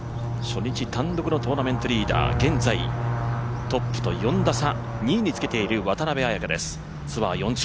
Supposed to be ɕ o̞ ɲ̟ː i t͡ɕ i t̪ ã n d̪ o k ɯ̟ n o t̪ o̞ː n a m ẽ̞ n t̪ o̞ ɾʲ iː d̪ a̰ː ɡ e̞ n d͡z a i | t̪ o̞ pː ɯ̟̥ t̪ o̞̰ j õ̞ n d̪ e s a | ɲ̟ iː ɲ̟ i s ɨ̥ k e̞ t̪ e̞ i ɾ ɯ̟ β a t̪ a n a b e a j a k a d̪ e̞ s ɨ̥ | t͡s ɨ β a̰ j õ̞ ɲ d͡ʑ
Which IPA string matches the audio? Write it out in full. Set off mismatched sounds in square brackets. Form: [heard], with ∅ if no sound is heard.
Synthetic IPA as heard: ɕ o̞ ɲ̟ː i t͡ɕ i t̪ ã n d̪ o k ɯ̟ n o t̪ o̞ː n a m ẽ̞ n t̪ o̞ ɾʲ iː d̪ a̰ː ɡ [ẽ̞] n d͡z a i | t̪ o̞ pː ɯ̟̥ t̪ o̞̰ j õ̞ n d̪ [a] s a | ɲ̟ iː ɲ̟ i [t͡s] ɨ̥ k e̞ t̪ e̞ i ɾ ɯ̟ β a t̪ a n a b e a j a k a d̪ e̞ s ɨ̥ | t͡s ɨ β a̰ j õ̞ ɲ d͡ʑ